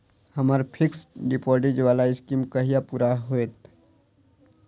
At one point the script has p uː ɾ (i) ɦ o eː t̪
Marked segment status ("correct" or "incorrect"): incorrect